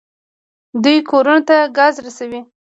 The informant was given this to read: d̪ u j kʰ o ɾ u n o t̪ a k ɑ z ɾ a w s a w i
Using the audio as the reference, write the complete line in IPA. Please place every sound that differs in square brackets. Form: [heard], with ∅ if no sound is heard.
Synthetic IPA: d̪ u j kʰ o ɾ u n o t̪ a [ɡ] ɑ z ɾ a [∅] s a w i